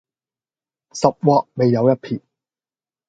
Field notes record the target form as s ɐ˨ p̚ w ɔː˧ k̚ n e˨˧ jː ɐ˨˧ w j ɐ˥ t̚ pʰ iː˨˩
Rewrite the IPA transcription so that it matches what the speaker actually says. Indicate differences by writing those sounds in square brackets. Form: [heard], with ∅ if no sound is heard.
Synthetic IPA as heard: s ɐ˨ p̚ w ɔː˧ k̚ [m] e˨˧ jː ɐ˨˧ w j ɐ˥ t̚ pʰ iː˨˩

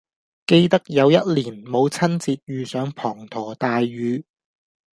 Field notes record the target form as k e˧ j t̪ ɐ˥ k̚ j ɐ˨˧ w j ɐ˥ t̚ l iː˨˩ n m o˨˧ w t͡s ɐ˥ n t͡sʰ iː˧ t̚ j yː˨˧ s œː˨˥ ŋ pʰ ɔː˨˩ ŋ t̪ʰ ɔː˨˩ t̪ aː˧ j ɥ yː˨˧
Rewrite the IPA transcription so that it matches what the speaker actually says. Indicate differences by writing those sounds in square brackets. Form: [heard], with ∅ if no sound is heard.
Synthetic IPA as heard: k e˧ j t̪ ɐ˥ k̚ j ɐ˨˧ w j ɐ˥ t̚ l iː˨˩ n m o˨˧ w [t͡sʰ] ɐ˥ n [t͡s] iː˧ t̚ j yː˨˧ s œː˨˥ ŋ pʰ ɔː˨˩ ŋ t̪ʰ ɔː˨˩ t̪ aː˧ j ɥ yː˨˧

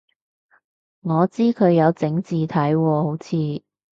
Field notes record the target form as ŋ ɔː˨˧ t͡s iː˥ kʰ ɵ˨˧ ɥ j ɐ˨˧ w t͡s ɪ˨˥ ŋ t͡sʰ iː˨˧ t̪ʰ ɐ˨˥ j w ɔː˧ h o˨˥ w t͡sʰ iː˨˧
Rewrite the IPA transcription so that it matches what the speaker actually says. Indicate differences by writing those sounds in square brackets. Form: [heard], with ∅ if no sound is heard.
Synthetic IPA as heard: ŋ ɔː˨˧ t͡s iː˥ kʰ ɵ˨˧ ɥ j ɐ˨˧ w t͡s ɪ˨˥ ŋ [t͡s] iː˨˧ t̪ʰ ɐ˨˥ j w ɔː˧ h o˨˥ w t͡sʰ iː˨˧

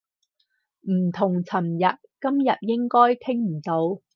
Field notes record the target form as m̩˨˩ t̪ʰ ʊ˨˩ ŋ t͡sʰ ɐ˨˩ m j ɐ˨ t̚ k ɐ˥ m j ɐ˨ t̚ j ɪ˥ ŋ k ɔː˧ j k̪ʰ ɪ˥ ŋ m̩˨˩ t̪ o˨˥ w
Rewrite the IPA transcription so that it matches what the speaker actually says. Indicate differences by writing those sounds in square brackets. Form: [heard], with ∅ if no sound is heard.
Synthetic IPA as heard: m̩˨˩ t̪ʰ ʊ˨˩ ŋ t͡sʰ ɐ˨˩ m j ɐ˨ t̚ k ɐ˥ m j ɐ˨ t̚ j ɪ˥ ŋ k [ɔː˥] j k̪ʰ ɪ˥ ŋ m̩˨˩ t̪ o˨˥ w

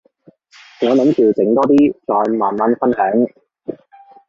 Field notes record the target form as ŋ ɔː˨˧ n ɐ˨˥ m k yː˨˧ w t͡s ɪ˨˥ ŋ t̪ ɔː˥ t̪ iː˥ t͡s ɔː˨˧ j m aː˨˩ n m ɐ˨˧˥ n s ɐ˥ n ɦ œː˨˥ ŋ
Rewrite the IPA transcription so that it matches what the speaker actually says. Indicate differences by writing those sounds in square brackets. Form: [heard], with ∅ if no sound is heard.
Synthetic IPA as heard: ŋ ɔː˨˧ n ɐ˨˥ m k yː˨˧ w t͡s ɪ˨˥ ŋ t̪ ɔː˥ t̪ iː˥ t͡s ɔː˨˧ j m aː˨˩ n m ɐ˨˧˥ n [f] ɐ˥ n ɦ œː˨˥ ŋ

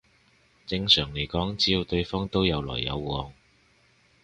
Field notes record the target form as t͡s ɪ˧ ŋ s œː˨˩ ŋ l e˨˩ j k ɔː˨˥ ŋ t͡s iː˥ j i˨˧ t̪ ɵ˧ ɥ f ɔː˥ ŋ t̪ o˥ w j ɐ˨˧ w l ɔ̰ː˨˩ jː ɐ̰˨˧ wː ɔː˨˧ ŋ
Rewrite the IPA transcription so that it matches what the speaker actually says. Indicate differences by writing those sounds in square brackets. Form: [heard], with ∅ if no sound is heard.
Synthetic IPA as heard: t͡s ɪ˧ ŋ s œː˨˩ ŋ l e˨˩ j k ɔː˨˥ ŋ t͡s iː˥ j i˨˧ t̪ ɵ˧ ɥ f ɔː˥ ŋ t̪ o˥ w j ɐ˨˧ w l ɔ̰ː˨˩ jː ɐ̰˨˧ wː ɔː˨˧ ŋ

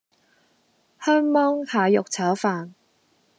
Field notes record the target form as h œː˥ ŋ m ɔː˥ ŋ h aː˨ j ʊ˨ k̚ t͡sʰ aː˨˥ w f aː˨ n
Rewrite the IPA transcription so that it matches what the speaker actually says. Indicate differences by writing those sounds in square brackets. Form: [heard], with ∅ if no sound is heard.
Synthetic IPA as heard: h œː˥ ŋ m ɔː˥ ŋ h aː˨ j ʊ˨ k̚ t͡sʰ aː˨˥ w f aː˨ n

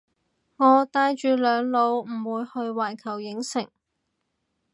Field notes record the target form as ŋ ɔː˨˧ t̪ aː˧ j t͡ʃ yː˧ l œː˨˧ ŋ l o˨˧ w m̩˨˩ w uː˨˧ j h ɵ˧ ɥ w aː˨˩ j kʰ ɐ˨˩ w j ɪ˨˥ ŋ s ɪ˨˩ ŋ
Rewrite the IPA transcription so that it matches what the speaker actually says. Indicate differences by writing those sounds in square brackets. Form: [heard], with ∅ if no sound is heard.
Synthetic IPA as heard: ŋ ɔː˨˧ t̪ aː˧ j t͡ʃ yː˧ l œː˨˧ ŋ l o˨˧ w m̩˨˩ w uː˨˧ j h ɵ˧ ɥ w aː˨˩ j kʰ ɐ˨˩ w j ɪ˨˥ ŋ s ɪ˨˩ ŋ

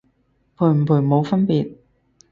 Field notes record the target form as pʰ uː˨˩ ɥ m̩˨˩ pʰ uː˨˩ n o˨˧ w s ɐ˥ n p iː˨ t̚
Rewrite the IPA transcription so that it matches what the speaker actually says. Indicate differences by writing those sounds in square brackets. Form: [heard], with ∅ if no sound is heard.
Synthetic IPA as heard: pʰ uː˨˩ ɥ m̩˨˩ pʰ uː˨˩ [m] o˨˧ w [f] ɐ˥ n p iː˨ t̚

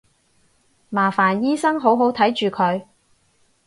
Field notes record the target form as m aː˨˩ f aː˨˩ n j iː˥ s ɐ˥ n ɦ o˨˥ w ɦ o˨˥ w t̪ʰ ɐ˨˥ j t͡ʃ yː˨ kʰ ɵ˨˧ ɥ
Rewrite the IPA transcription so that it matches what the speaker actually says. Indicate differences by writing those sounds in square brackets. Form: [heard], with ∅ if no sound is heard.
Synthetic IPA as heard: m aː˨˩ f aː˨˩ n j iː˥ s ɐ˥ [ŋ] ɦ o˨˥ w ɦ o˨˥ w t̪ʰ ɐ˨˥ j t͡ʃ yː˨ kʰ ɵ˨˧ ɥ

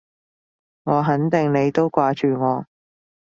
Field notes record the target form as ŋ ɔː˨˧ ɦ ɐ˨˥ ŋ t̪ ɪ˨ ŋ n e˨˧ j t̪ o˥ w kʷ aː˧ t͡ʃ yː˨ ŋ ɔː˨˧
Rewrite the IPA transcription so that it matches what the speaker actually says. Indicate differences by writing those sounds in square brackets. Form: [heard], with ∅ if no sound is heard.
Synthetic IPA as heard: ŋ ɔː˨˧ ɦ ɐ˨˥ [n] t̪ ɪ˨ ŋ n e˨˧ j t̪ o˥ w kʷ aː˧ t͡ʃ yː˨ ŋ ɔː˨˧

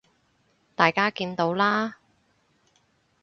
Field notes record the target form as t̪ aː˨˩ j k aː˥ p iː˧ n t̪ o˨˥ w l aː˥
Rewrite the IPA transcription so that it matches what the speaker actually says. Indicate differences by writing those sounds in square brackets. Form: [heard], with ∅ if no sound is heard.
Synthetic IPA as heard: t̪ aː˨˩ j k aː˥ [k] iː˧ n t̪ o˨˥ w l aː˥

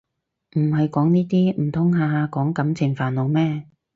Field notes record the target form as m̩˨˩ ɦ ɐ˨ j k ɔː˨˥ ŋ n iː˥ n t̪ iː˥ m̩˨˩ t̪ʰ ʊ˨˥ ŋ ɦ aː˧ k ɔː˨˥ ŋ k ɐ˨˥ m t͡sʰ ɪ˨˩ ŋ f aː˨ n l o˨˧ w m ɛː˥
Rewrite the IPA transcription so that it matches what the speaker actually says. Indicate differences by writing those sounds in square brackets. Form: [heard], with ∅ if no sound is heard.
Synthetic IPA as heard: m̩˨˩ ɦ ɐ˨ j k ɔː˨˥ ŋ n iː˥ [∅] t̪ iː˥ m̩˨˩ t̪ʰ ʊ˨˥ ŋ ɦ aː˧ k ɔː˨˥ ŋ k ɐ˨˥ m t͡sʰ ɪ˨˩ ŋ f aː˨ n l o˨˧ w m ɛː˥

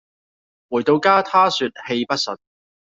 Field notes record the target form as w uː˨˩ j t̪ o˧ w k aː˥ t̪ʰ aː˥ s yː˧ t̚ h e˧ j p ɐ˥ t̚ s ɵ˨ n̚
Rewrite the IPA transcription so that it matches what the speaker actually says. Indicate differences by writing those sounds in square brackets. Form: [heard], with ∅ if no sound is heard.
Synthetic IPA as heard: w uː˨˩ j t̪ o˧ w k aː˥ t̪ʰ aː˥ s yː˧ t̚ h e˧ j p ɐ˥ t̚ s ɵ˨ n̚

